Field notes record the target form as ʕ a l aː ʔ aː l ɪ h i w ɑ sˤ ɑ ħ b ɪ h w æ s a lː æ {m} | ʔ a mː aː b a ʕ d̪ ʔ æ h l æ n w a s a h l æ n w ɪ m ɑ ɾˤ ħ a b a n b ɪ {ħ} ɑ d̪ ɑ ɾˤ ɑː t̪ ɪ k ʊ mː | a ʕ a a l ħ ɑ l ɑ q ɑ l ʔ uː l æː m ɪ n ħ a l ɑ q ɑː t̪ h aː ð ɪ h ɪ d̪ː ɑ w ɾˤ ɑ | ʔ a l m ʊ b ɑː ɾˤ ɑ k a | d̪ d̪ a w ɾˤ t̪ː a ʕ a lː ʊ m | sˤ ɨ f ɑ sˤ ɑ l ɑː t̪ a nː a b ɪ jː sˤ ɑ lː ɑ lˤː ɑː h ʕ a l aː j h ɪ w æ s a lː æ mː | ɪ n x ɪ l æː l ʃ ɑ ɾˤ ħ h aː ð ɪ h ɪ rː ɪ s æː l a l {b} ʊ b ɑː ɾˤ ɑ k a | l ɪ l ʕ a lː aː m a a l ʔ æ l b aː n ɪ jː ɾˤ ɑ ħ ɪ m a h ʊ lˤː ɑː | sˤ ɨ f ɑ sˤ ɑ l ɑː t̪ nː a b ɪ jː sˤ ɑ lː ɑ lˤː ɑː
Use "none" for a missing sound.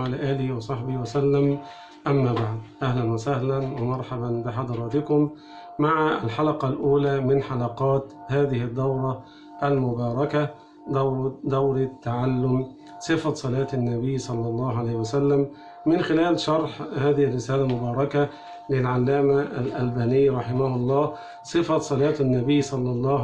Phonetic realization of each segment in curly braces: m, ħ, m

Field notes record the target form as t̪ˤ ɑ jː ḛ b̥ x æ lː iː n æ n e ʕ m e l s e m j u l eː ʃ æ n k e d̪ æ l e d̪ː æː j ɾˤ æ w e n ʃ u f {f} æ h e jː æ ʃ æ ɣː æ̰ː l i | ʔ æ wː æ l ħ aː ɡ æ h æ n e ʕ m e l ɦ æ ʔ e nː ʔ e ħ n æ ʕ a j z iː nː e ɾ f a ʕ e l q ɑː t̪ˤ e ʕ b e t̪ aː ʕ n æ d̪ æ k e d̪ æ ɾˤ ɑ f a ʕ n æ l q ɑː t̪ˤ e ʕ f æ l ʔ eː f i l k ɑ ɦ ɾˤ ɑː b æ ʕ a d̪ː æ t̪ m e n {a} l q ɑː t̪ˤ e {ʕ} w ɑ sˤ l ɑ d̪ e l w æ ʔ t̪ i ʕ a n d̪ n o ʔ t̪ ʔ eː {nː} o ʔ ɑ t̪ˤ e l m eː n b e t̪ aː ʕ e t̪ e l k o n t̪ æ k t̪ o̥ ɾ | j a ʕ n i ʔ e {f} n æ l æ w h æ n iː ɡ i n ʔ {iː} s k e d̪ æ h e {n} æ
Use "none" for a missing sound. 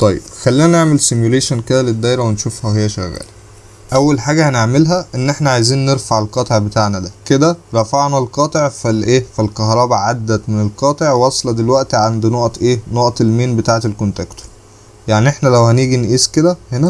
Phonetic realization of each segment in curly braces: h, e, ʕ, n, ħ, iː, n

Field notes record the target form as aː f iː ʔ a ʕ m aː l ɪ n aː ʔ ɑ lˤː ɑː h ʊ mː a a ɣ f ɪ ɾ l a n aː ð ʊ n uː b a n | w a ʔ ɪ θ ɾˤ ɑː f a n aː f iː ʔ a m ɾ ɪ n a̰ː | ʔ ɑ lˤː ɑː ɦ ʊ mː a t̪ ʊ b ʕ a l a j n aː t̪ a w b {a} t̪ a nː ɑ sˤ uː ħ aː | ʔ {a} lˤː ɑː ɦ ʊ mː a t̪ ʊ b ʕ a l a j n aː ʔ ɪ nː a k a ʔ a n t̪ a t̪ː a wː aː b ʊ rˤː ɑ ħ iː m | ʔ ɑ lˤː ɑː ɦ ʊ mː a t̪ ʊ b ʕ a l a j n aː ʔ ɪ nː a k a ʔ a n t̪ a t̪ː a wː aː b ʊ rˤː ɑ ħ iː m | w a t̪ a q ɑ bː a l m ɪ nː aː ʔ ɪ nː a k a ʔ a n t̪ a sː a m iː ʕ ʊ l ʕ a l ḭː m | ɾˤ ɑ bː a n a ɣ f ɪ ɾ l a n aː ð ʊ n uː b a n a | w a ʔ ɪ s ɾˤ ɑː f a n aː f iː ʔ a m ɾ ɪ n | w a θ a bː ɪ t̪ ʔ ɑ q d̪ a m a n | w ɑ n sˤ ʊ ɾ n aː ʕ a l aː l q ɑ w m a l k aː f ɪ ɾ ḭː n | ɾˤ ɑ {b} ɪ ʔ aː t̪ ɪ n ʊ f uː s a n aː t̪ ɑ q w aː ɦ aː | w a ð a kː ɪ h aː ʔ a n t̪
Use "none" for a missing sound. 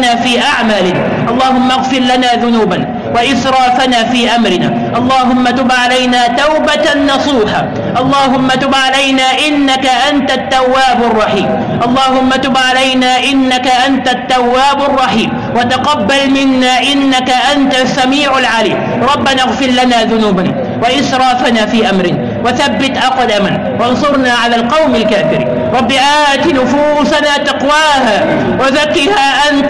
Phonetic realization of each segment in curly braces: a, ɑ, bː

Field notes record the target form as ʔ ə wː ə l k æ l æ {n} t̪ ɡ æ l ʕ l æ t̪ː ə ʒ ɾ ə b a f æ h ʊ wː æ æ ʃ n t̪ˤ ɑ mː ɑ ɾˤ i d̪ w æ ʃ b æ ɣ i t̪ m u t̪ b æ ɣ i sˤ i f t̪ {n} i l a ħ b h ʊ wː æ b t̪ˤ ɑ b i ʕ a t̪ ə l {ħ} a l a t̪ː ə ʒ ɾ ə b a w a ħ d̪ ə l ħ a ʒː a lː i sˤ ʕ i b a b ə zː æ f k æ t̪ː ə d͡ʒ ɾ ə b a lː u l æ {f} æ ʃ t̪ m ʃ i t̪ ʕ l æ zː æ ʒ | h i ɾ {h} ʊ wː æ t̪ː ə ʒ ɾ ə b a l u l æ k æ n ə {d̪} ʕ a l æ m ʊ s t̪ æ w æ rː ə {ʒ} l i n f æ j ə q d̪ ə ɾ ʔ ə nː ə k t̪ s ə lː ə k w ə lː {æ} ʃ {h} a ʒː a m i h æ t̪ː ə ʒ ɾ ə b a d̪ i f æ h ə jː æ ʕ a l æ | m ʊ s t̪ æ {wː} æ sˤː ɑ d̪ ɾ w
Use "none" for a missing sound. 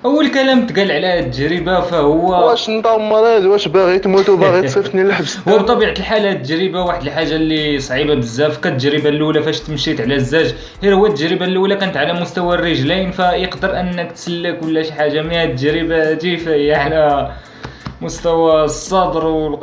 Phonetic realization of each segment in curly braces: m, n, ħ, f, h, t̪, ʒ, æ, ħ, w

